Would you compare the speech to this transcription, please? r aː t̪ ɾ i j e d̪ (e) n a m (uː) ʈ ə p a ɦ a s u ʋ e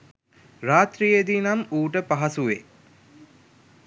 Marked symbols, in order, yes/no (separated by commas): no, yes